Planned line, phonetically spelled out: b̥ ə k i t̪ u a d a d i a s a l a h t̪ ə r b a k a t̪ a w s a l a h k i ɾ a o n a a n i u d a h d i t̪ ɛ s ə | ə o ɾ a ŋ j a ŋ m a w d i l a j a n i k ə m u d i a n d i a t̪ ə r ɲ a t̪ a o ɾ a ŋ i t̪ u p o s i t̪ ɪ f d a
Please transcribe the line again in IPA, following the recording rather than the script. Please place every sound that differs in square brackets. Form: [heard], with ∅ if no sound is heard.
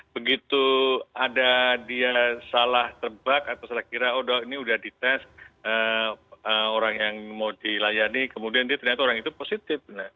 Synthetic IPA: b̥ ə [ɡ] i t̪ u a d a d i a s a l a h t̪ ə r b a k a t̪ a w s a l a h k i ɾ a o [d] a [i] n i u d a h d i t̪ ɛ s ə | ə o ɾ a ŋ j a ŋ m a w d i l a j a n i k ə m u d i a n d i a t̪ ə r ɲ a t̪ a o ɾ a ŋ i t̪ u p o s i t̪ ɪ f [n] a